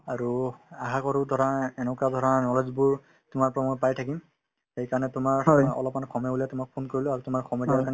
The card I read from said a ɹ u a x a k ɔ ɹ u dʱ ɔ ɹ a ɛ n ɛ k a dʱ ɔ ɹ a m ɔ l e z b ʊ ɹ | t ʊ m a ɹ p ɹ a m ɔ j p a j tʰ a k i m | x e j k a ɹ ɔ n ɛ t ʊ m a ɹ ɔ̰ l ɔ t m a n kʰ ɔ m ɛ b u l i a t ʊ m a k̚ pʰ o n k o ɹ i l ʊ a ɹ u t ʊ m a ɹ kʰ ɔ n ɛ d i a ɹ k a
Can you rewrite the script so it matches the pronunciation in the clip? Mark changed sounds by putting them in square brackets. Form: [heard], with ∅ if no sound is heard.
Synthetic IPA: a ɹ u a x a k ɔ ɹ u dʱ ɔ ɹ a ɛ n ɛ k a dʱ ɔ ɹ a [n] ɔ l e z b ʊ ɹ | t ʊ m a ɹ p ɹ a m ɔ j p a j tʰ a k i m | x e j k a ɹ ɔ n ɛ t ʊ m a ɹ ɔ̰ l ɔ [p] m a n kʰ ɔ m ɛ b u l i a t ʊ m a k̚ pʰ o n k o ɹ i l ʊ a ɹ u t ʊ m a ɹ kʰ ɔ [m] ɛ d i a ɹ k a

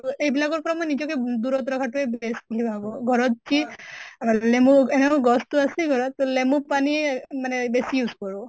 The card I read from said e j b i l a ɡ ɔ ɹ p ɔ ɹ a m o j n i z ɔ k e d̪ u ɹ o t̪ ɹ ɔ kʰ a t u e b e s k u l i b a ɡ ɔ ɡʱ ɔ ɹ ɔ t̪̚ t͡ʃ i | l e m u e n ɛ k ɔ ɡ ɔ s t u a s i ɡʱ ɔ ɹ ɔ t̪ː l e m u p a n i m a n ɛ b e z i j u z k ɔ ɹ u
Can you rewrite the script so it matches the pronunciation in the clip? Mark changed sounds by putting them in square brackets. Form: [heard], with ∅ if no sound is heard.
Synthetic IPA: e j b i l a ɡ ɔ ɹ p ɔ ɹ a m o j n i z ɔ k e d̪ u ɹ [ɔ] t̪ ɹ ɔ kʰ a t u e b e s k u l i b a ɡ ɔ ɡʱ ɔ ɹ ɔ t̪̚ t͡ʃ i | l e m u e n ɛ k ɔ ɡ ɔ s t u a s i ɡʱ ɔ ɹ ɔ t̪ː l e m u p a n i m a n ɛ b e [s] i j u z k ɔ ɹ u

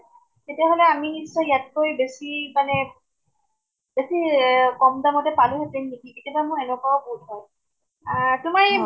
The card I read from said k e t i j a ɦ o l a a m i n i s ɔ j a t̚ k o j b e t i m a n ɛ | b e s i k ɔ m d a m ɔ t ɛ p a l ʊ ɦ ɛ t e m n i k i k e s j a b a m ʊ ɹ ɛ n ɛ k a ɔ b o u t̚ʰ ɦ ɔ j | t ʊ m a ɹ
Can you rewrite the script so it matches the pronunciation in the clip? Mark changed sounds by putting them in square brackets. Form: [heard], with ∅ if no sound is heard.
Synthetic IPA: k e t i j a ɦ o l [ɛ] a m i n i s ɔ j a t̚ k o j b e [s] i m a n ɛ | b e s i k ɔ m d a m ɔ t ɛ p a l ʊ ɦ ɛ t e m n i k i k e [t] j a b a m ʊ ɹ ɛ n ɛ k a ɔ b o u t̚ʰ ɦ ɔ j | t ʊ m a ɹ

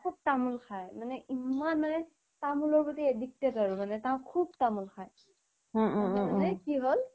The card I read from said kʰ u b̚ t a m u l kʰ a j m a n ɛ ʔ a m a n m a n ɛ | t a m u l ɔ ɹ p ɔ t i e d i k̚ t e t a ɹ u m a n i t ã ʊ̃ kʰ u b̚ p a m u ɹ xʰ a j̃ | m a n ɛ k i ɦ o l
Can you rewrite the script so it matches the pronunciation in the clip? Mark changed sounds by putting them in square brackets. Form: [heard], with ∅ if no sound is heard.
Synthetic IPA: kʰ u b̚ t a m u l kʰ a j m a n ɛ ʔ [i] m a n m a n ɛ | t a m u l ɔ ɹ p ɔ t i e d i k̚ t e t a ɹ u m a n [ɛ] t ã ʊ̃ kʰ u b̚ [t] a m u [l] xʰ a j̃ | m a n ɛ k i ɦ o l

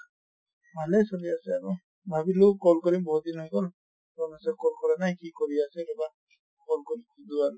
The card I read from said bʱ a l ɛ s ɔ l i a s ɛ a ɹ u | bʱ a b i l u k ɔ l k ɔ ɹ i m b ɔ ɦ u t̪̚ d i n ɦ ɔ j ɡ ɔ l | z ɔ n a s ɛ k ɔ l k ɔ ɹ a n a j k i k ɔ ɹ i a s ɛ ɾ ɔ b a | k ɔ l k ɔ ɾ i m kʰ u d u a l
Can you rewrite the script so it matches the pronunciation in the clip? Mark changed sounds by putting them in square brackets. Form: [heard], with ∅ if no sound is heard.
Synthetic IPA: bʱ a l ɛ s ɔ l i a s ɛ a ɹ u | bʱ a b i l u k ɔ l k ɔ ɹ i m b ɔ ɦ u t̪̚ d i n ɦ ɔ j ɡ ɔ l | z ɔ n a s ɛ k ɔ l k ɔ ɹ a n a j k i k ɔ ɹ i a s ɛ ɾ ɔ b a | k ɔ l k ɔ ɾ i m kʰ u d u a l

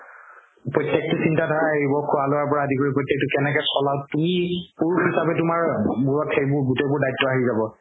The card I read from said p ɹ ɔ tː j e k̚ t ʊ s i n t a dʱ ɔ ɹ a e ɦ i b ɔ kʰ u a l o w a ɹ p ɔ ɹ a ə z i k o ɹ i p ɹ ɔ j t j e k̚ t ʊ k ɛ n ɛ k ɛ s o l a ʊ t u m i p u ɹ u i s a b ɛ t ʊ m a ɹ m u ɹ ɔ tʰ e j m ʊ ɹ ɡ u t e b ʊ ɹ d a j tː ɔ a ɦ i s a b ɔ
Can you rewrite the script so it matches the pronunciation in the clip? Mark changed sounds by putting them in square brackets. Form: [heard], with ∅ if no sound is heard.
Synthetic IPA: p ɹ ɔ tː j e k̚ t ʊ s i n t a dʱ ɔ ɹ a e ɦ i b ɔ kʰ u a l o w a ɹ p ɔ ɹ a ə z i k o ɹ i p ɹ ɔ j t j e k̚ t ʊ k ɛ n ɛ k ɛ s [ɔ] l a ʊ t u m i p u ɹ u i s a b ɛ t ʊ m a ɹ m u ɹ ɔ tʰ e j [b] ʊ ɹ ɡ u t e b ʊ ɹ d a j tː ɔ a ɦ i [z] a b ɔ

